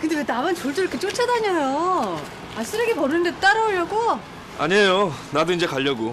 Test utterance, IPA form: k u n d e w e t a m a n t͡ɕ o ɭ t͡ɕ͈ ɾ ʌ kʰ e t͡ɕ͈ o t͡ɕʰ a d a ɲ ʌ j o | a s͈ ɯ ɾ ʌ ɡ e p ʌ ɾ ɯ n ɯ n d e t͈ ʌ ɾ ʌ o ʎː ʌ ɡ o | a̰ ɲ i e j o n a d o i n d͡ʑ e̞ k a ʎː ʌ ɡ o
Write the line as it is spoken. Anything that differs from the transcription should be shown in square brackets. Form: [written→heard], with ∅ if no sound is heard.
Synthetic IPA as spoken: k [u→ɯ] n d e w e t a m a n t͡ɕ o ɭ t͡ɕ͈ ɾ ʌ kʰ e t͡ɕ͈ o t͡ɕʰ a d a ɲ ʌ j o | a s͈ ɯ ɾ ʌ ɡ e p ʌ ɾ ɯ n ɯ n d e t͈ [ʌ→a] ɾ ʌ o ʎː ʌ ɡ o | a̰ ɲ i e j o n a d o i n d͡ʑ e̞ k a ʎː ʌ ɡ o